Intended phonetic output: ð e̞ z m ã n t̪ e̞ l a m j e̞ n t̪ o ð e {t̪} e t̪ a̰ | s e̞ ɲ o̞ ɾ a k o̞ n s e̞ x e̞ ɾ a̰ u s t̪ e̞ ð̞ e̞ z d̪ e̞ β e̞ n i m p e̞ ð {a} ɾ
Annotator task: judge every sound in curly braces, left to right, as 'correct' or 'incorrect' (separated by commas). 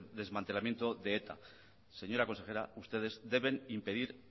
incorrect, incorrect